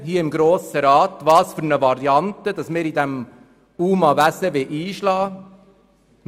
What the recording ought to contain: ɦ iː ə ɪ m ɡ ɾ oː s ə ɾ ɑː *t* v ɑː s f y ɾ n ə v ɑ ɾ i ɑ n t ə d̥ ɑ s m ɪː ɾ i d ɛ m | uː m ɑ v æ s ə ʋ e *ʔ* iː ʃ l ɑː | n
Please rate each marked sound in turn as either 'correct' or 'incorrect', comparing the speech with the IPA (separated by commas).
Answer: correct, correct